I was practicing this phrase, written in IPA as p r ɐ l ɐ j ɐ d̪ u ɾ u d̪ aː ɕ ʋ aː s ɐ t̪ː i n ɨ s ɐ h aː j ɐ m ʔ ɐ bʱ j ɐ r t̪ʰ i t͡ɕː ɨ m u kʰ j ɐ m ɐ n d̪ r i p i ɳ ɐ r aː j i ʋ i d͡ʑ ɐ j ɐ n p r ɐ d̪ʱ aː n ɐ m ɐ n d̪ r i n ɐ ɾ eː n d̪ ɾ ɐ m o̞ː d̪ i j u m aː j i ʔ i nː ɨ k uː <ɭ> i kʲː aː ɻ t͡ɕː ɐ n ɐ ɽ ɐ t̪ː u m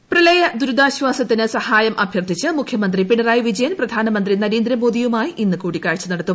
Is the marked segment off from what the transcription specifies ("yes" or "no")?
yes